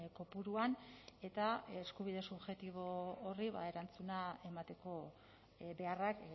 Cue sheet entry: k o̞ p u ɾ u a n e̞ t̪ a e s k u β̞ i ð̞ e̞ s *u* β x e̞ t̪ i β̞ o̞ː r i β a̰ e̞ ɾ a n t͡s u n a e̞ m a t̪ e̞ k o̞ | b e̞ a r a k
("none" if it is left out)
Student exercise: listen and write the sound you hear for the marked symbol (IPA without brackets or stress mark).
u